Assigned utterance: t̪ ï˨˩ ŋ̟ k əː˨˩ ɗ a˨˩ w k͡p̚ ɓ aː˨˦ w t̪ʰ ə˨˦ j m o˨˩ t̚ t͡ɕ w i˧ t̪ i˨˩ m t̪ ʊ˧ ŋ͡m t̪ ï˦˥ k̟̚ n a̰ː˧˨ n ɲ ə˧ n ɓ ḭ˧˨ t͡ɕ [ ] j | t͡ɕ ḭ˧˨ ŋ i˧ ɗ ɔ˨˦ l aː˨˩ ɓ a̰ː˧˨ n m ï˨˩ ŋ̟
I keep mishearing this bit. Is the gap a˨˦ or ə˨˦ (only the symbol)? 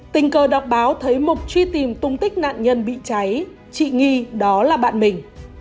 a˨˦